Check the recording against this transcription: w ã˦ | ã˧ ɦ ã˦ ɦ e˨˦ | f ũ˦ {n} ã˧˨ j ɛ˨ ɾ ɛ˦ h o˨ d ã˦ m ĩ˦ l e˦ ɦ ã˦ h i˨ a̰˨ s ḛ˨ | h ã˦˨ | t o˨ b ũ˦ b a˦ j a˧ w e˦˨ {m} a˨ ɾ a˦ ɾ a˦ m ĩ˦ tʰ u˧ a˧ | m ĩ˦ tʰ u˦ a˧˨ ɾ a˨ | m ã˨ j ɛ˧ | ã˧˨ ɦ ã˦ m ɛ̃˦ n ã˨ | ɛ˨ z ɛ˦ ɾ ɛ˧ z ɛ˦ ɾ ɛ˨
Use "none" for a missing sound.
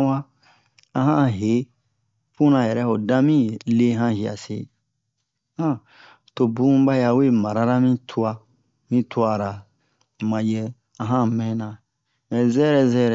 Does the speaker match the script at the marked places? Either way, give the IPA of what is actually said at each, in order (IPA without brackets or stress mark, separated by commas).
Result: n, m